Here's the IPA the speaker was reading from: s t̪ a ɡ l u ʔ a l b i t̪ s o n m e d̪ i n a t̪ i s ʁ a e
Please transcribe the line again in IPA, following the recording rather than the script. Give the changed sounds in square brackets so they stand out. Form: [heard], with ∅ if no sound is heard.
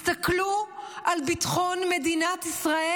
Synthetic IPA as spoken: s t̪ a [k] l u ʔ a l b i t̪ [χ] o n m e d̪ i n a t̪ i s ʁ a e